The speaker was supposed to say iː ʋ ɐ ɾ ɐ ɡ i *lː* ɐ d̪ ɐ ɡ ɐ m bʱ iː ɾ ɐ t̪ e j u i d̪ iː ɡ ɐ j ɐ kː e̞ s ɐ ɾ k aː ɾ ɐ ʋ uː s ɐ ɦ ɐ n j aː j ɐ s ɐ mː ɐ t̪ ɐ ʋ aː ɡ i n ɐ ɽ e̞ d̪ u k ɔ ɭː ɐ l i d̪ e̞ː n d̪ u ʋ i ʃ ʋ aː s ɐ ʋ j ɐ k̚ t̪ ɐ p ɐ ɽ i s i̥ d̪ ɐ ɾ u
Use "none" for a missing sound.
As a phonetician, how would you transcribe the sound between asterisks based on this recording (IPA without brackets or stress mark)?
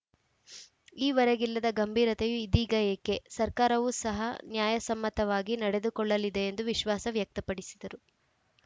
lː